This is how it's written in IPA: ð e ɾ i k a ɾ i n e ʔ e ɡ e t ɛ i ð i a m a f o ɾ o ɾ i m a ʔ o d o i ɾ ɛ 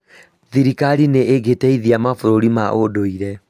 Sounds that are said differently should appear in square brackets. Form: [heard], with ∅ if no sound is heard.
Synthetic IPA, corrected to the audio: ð [i] ɾ i k a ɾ i n e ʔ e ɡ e t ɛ i ð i a m a f o ɾ o ɾ i m a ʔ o d o i ɾ ɛ